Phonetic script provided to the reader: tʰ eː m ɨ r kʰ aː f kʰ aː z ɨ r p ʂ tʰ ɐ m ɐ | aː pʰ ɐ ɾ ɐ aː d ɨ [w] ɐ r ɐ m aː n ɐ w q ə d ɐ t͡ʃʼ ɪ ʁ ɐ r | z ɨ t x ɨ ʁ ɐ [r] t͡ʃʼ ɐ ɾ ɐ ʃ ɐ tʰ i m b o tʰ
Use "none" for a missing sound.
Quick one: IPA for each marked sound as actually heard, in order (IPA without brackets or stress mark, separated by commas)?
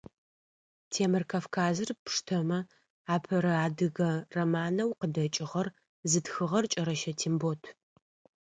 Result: ɣ, r